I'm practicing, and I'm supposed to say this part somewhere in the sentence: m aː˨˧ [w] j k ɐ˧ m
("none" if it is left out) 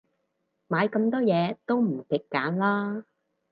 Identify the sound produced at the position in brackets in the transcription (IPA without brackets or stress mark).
none